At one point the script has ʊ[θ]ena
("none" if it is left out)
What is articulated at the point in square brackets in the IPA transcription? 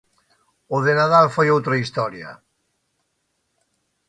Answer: ð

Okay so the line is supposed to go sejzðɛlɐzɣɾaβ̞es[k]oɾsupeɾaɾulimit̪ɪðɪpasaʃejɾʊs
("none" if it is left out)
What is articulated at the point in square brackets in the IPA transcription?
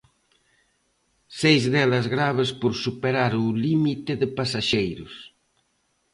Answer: p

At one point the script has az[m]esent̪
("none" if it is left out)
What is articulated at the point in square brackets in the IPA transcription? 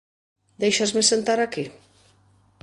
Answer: m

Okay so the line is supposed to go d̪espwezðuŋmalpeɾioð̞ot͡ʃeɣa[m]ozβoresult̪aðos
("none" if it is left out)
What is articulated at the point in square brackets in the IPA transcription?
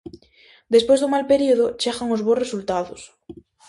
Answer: ŋ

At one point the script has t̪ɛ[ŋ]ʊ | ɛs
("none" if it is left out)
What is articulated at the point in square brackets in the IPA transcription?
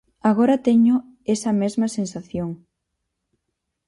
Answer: ɲ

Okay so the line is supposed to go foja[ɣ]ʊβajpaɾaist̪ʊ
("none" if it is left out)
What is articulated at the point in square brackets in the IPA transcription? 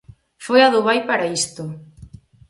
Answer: ð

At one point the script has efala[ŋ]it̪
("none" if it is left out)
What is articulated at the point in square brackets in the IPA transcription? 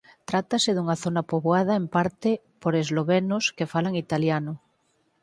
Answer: ŋ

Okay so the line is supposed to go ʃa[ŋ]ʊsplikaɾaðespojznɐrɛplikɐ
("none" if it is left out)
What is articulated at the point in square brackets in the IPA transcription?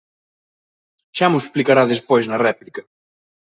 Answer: m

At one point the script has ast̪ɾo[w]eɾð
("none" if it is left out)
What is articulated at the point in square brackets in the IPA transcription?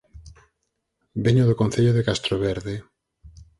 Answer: β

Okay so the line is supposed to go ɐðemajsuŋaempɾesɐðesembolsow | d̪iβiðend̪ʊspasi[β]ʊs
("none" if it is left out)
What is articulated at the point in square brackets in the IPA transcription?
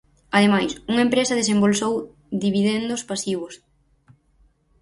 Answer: β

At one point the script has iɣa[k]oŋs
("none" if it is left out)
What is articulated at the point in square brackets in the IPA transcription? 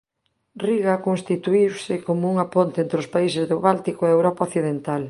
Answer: k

